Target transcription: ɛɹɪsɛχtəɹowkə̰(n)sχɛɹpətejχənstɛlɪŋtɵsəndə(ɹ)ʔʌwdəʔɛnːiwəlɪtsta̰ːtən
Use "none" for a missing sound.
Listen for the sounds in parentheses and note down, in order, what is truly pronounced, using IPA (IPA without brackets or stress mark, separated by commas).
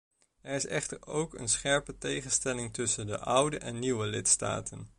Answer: n, none